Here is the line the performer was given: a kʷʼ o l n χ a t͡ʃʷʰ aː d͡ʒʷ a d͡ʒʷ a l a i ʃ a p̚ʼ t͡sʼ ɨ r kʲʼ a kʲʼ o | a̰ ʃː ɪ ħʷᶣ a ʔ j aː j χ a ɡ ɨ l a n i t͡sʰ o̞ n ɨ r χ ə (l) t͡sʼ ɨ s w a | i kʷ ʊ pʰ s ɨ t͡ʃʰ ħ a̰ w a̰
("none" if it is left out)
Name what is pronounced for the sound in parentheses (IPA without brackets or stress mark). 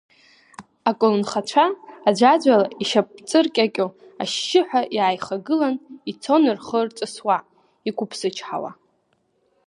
r